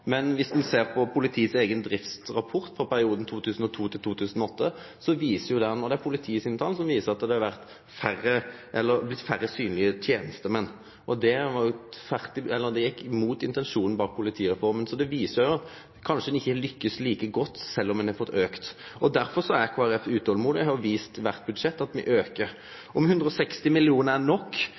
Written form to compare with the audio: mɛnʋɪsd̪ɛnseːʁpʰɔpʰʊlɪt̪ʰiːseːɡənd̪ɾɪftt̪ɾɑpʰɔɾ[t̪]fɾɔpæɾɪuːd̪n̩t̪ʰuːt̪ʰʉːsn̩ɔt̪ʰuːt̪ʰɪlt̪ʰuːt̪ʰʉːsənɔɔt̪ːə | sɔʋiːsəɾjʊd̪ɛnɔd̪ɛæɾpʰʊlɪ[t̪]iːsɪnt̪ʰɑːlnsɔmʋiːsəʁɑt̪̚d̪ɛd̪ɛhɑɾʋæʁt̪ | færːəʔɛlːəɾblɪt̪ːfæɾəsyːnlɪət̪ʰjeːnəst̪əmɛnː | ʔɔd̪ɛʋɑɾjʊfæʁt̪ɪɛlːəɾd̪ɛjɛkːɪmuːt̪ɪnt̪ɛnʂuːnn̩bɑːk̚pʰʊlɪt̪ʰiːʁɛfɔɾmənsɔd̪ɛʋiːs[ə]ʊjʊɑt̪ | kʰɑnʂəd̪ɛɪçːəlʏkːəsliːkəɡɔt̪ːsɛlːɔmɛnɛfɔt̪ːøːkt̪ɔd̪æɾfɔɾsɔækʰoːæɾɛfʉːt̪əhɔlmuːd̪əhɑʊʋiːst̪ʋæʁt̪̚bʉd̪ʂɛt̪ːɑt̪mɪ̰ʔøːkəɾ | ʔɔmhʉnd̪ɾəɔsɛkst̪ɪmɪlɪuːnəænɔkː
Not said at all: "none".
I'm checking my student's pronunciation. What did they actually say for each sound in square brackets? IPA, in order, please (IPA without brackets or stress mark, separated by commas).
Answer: t̪, t̪ʰ, ə